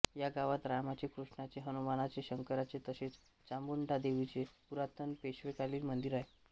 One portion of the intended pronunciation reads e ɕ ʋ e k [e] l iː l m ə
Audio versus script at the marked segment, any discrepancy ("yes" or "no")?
yes